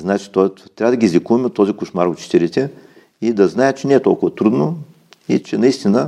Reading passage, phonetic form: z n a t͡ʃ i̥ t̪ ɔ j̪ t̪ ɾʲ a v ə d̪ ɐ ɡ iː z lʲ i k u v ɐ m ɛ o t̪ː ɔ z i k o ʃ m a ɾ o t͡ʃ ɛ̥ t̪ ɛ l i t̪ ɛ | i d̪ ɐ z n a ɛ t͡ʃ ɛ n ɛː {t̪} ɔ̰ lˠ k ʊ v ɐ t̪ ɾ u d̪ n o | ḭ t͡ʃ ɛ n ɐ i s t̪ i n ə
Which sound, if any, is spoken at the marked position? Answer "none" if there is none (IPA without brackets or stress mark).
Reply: t̪